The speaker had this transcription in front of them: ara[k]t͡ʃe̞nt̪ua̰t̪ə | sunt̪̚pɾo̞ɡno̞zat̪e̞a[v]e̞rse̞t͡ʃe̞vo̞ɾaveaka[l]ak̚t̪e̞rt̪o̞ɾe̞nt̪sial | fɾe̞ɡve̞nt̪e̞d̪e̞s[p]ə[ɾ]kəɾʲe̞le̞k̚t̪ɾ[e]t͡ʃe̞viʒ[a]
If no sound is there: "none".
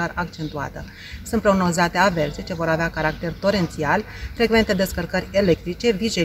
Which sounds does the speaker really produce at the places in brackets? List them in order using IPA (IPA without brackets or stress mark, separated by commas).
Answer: k, v, ɾ, k, r, i, e